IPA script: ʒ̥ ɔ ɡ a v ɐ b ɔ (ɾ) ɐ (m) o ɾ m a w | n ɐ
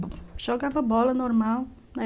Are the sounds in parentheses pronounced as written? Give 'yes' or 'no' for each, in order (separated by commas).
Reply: no, no